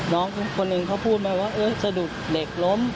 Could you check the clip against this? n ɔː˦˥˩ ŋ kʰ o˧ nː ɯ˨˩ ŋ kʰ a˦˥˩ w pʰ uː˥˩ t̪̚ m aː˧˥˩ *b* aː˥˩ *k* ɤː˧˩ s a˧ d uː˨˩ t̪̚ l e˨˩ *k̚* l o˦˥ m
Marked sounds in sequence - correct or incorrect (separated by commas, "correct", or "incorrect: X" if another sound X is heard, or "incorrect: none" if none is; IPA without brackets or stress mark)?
incorrect: w, incorrect: ʔ, correct